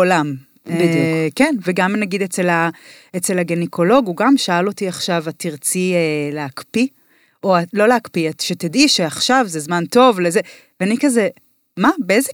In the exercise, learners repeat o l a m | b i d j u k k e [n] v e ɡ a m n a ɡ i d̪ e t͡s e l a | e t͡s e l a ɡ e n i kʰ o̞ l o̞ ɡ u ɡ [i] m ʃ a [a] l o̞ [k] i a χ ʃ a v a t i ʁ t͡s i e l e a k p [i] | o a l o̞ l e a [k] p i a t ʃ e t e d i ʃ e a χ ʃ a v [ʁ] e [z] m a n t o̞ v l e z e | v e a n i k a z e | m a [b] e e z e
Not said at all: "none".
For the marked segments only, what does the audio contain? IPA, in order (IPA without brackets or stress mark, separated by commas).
n, a, a, t, i, k, z, z, b